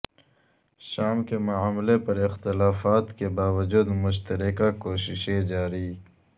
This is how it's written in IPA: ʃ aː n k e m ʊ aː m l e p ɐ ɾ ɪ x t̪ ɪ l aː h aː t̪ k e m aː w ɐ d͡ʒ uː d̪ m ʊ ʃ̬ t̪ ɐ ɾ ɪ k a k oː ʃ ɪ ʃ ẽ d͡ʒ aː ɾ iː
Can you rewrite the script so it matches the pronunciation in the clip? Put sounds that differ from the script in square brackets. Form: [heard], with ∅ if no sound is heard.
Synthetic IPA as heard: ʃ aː [m] k e m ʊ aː m l e p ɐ ɾ ɪ x t̪ ɪ l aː [f] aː t̪ k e [b] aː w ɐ d͡ʒ uː d̪ m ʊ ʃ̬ t̪ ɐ ɾ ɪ k a k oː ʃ ɪ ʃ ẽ d͡ʒ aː ɾ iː

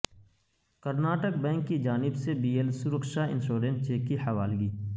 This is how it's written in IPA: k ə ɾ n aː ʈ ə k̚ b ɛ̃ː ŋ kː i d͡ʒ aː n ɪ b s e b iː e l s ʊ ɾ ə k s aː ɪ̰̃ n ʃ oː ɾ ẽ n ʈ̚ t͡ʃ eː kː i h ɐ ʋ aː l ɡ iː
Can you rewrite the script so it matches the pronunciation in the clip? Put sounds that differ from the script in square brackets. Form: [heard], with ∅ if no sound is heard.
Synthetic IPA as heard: k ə ɾ n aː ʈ ə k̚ b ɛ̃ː ŋ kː i d͡ʒ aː n ɪ b s e b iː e l s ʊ ɾ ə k [ʃ] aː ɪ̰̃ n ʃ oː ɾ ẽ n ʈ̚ t͡ʃ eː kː i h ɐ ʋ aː l ɡ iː

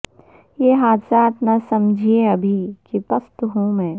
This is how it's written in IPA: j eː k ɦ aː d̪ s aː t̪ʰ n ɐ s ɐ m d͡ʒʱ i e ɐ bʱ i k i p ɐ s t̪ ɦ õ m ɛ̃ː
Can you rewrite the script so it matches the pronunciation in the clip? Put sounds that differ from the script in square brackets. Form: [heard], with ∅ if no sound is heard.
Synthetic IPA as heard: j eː [∅] ɦ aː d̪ s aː [t̪] n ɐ s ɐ m d͡ʒʱ i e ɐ bʱ i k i p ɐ s t̪ ɦ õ m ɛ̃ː

